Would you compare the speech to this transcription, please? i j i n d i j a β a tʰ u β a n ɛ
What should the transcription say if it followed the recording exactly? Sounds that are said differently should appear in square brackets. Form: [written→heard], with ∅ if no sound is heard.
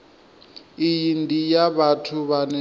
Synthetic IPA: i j i n d i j a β a tʰ u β a n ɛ